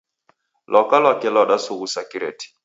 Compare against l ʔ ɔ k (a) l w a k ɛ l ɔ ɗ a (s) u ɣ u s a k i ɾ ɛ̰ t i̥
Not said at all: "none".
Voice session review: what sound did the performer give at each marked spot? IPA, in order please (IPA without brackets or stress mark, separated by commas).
a, s